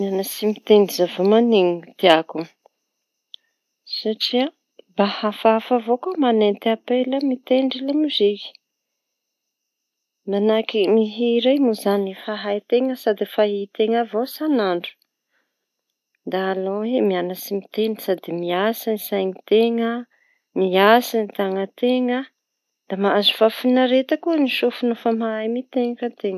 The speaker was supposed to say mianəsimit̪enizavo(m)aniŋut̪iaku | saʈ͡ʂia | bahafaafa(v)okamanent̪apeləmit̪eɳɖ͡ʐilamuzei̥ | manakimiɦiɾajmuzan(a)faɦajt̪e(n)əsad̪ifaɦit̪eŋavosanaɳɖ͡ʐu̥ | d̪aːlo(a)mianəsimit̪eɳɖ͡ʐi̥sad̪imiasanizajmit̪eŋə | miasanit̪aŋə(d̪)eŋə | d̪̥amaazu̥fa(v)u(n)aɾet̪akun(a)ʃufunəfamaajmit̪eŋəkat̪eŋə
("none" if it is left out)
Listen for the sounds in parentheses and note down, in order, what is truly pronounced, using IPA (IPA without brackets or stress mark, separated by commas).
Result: m, v, i, ŋ, e, t̪, f, n, i